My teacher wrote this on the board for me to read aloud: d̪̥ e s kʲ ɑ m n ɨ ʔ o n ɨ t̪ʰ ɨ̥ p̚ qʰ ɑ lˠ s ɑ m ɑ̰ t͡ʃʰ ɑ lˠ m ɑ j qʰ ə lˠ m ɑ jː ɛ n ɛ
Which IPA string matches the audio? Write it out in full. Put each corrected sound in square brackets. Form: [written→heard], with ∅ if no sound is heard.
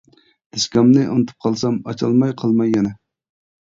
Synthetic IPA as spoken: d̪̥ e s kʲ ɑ m n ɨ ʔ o n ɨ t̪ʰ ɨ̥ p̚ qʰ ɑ lˠ s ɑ m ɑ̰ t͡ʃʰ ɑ lˠ m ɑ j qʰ [ə→ɑ] lˠ m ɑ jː ɛ n ɛ